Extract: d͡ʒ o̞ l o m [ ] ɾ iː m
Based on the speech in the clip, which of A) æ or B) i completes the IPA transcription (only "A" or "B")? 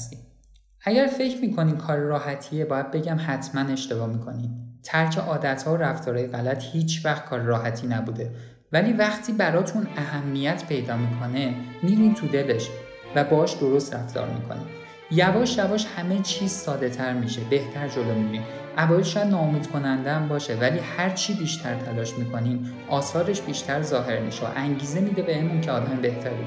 B